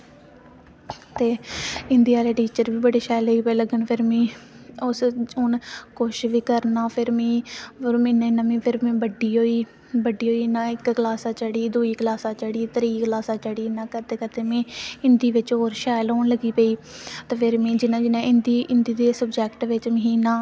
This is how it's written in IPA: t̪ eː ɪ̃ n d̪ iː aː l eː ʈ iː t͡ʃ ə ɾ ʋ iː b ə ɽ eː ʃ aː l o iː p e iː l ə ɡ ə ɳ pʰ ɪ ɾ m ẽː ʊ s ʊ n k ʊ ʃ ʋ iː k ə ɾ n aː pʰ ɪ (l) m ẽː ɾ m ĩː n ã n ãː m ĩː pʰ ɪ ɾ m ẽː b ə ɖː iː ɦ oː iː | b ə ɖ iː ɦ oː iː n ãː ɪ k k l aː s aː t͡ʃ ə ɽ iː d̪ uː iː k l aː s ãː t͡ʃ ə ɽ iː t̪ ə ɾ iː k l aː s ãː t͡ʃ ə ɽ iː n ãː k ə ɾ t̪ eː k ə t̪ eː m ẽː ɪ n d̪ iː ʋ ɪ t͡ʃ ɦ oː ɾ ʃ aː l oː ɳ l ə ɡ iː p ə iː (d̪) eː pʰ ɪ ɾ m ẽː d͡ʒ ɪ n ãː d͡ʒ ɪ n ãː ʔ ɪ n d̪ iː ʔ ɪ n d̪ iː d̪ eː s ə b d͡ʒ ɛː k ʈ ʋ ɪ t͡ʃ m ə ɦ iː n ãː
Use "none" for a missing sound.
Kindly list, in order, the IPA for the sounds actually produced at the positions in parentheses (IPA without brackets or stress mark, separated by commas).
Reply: ɾ, t̪